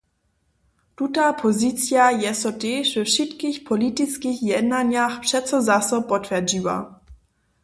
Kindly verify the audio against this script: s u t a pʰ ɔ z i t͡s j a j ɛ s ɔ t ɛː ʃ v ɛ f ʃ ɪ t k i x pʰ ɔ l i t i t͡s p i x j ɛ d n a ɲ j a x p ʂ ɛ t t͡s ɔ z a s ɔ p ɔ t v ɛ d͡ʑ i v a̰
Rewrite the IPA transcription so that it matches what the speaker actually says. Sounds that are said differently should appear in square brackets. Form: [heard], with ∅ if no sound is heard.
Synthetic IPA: [t] u t a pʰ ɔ z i t͡s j a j ɛ s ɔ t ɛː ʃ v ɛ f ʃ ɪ t k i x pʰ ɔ l i t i t͡s [k] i x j ɛ d n a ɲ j a x p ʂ ɛ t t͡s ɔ z a s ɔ p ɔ t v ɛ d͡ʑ i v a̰